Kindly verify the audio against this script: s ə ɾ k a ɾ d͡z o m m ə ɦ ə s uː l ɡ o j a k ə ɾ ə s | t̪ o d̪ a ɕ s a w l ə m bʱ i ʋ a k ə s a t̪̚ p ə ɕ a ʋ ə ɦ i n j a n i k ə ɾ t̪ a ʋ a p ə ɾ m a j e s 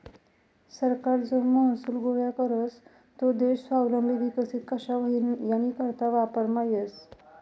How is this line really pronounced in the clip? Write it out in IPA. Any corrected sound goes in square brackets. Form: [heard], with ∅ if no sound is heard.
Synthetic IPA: s ə ɾ k a ɾ d͡z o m m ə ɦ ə s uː l ɡ o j a k ə ɾ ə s | t̪ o d̪ [e] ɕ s a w l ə m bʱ i ʋ [i] k ə s [i] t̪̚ [k] ə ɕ a ʋ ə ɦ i n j a n i k ə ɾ t̪ a ʋ a p ə ɾ m a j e s